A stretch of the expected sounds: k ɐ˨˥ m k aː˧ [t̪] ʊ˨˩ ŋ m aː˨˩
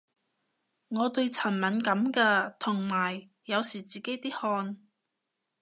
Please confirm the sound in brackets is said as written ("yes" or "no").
no